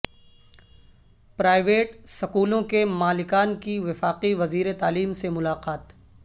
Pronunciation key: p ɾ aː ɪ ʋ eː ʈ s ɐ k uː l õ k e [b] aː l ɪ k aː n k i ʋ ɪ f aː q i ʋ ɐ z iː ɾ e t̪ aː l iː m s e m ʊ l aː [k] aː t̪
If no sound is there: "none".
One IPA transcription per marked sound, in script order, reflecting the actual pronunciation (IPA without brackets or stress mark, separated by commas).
m, q